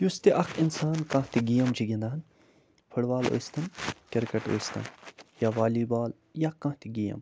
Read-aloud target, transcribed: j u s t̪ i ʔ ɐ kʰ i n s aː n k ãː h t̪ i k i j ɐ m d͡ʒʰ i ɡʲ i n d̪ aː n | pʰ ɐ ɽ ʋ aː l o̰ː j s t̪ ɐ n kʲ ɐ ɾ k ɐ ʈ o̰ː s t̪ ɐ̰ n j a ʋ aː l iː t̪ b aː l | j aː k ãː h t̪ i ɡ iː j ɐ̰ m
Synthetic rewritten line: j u s t̪ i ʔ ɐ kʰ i n s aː n k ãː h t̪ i ɡ i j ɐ m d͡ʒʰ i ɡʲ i n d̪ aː n | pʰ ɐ ɽ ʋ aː l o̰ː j s t̪ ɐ n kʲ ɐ ɾ k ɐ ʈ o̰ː s t̪ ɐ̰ n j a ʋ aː l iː b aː l | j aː k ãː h t̪ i ɡ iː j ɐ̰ m